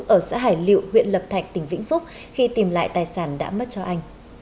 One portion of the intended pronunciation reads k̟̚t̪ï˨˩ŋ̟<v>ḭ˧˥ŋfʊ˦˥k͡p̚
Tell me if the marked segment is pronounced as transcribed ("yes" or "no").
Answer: yes